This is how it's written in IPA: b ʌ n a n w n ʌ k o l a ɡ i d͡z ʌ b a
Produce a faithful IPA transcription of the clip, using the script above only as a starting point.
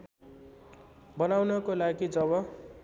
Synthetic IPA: b ʌ n a w n ʌ k o l a ɡ i d͡z ʌ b ʌ